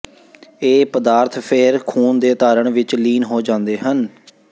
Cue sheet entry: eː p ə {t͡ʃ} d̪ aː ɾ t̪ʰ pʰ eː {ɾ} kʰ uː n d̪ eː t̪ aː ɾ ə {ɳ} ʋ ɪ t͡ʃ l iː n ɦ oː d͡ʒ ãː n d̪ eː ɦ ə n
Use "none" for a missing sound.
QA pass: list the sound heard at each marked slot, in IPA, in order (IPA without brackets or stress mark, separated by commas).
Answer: none, ɾ, ɳ